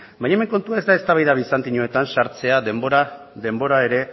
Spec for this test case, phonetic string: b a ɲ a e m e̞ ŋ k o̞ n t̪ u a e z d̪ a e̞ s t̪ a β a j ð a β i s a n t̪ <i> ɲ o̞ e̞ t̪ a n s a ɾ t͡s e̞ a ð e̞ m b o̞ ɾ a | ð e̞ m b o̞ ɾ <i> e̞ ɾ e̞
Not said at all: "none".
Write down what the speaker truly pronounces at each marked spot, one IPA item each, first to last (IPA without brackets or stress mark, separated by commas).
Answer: i, a